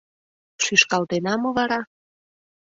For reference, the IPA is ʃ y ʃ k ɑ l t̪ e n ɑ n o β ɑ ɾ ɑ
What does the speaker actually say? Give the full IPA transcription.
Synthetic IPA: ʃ y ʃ k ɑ l t̪ e n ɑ m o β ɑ ɾ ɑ